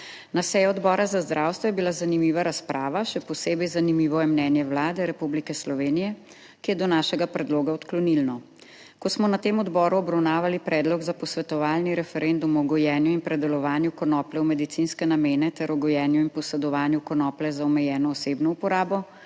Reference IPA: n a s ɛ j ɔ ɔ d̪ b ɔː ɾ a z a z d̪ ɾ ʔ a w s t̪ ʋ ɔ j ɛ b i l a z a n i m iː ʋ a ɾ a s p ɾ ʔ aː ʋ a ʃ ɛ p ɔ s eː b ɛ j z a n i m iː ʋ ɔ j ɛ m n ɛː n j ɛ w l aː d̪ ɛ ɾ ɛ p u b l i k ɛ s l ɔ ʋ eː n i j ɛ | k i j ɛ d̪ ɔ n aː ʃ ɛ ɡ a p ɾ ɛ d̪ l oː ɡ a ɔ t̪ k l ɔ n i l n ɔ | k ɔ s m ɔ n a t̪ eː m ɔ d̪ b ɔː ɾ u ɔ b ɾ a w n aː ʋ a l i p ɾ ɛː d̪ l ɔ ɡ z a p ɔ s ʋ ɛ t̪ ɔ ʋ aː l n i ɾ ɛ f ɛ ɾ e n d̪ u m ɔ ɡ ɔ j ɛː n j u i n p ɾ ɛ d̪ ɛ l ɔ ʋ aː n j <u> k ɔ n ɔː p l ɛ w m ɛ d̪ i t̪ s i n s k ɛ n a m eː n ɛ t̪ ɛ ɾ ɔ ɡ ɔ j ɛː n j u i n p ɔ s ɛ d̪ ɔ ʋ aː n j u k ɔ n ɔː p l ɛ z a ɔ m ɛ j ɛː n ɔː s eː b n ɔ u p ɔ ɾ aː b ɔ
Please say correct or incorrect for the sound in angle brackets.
correct